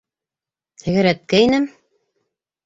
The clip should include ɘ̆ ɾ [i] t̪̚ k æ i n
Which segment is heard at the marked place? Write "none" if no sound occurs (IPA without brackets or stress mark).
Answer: æ